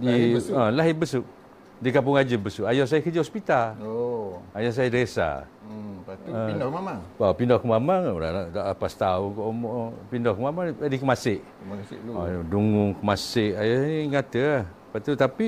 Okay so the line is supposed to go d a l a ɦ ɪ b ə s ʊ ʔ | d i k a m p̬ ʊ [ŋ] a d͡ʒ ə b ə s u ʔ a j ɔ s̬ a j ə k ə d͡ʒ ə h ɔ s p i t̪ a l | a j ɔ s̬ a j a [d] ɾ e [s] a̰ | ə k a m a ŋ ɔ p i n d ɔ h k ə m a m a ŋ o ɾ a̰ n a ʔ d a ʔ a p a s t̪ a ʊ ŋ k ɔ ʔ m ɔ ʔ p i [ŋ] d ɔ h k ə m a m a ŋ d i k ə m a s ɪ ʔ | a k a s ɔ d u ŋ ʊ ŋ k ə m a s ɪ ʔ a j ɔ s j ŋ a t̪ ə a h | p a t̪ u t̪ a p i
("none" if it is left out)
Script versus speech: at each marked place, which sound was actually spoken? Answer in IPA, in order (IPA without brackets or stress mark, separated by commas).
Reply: ŋ, d, s, n